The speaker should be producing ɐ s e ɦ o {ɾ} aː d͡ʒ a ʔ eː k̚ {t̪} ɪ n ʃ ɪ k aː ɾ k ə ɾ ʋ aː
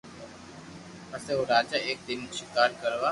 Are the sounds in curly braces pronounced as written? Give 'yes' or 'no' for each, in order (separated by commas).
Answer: yes, no